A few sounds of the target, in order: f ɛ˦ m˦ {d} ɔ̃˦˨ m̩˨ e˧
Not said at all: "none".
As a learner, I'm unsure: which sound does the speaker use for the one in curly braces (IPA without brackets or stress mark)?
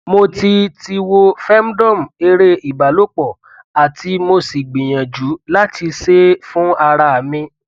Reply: d